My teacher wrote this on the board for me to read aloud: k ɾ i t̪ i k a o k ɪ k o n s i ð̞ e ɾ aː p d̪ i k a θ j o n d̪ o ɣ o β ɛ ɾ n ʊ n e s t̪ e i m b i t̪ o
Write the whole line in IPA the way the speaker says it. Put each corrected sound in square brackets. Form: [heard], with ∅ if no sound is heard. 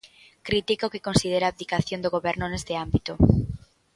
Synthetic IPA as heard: k ɾ i t̪ i k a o k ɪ k o n s i ð̞ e ɾ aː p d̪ i k a θ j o n d̪ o ɣ o β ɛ ɾ n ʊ n e s t̪ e [a] m b i t̪ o